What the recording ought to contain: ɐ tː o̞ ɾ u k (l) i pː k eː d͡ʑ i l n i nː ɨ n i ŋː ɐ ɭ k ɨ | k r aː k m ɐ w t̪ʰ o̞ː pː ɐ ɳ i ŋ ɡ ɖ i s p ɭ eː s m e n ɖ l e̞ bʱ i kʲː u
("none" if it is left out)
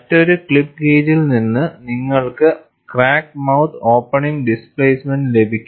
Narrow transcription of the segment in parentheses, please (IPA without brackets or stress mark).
ɭ